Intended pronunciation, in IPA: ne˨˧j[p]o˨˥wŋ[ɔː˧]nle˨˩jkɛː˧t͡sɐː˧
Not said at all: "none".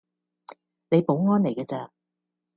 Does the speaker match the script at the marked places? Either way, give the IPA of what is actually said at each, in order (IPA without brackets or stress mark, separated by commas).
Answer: p, ɔː˥